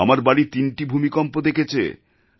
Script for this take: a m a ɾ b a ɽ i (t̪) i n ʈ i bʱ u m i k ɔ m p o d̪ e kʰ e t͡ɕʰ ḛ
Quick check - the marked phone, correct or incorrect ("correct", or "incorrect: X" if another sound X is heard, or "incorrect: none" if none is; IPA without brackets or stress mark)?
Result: correct